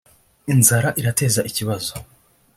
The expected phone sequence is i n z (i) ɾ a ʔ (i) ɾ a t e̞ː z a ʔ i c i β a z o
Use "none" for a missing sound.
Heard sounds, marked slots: a, i

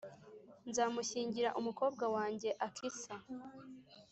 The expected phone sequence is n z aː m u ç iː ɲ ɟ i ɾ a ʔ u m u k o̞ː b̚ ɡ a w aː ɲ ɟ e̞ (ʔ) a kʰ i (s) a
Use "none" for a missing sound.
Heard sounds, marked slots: ʔ, s

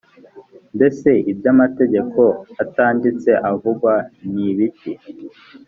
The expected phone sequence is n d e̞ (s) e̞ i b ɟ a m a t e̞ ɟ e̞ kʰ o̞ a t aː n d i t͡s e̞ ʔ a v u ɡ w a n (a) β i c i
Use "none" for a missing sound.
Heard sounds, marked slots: s, i

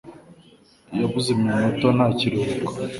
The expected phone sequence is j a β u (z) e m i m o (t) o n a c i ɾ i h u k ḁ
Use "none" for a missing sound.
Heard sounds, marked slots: z, t

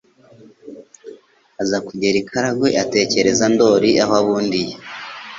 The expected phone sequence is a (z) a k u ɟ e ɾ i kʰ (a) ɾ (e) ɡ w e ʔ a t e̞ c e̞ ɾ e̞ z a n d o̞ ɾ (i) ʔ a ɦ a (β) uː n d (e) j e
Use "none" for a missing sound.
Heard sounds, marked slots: z, a, a, i, β, i

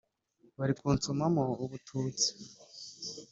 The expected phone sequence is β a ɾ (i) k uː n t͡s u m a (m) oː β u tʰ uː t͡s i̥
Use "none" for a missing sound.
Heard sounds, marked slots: i, m

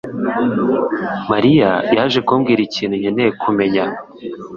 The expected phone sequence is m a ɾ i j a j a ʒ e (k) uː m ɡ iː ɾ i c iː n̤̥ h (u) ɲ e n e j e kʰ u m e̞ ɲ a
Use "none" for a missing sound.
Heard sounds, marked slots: k, u

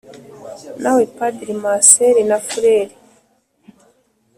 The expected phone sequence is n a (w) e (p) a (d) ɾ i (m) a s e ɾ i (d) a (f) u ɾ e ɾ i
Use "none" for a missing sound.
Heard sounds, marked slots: w, p, d, m, n, f

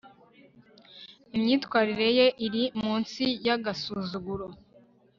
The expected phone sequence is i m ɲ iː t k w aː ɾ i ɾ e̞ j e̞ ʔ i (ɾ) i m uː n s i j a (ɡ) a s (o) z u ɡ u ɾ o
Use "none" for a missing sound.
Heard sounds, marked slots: ɾ, ɡ, u

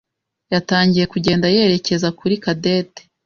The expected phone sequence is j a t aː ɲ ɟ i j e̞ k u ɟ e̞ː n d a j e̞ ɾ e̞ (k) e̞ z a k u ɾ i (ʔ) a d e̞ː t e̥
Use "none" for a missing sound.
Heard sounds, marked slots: c, k

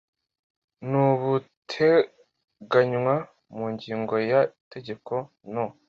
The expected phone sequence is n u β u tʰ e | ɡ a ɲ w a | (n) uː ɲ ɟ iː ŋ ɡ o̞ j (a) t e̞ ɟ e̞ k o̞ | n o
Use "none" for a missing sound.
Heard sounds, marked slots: m, a

